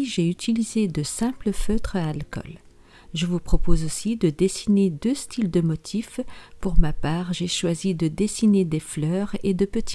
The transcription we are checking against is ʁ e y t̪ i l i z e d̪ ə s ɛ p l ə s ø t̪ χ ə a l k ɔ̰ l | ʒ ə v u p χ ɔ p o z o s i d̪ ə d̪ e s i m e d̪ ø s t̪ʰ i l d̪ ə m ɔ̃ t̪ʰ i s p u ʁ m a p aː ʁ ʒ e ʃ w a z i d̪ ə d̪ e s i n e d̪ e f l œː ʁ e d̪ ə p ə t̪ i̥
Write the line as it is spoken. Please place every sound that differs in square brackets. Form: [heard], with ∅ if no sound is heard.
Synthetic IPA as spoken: [ʒ] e y t̪ i l i z e d̪ ə s [ɛ̃] p l ə [f] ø t̪ χ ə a l k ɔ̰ l | ʒ ə v u p χ ɔ p o z o s i d̪ ə d̪ e s i [n] e d̪ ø s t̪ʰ i l d̪ ə m [ɔ] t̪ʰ i [f] p u ʁ m a p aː ʁ ʒ e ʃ w a z i d̪ ə d̪ e s i n e d̪ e f l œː ʁ e d̪ ə p ə t̪ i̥